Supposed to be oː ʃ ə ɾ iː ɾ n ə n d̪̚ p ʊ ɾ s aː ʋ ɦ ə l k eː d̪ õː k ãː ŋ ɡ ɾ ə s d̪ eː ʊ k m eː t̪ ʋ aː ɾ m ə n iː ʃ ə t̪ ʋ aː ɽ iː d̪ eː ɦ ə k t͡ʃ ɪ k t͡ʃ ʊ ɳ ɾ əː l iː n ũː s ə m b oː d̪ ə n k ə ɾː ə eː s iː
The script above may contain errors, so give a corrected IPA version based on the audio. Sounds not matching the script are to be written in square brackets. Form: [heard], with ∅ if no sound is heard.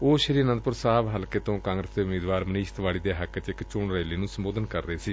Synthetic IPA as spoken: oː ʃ ə ɾ iː ɾ n ə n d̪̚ p ʊ ɾ s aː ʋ ɦ ə l k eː [t̪] õː k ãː ŋ ɡ ɾ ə s d̪ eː ʊ [∅] m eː [d̪] ʋ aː ɾ m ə n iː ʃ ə t̪ ʋ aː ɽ iː d̪ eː ɦ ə k t͡ʃ ɪ k t͡ʃ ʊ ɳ ɾ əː l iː n ũː s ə m b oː d̪ ə n k ə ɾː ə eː s iː